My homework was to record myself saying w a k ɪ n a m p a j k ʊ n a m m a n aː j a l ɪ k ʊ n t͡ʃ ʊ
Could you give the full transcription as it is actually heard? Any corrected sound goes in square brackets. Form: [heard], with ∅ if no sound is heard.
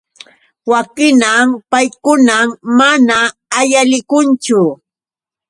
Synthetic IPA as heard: w a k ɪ n a m p a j k ʊ n a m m a n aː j a l ɪ k ʊ n t͡ʃ ʊ